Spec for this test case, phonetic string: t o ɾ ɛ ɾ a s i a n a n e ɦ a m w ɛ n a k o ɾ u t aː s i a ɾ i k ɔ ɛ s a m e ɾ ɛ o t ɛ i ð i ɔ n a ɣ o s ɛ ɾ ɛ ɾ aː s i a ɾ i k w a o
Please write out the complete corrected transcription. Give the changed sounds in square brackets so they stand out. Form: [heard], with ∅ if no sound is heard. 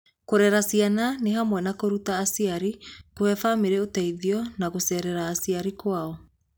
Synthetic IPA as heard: [k] o ɾ ɛ ɾ a s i a n a n e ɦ a m w ɛ n a k o ɾ u t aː s i a ɾ i k [o] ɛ [f] a m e ɾ ɛ o t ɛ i ð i ɔ n a ɣ o s ɛ ɾ ɛ ɾ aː s i a ɾ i k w a [ɔ]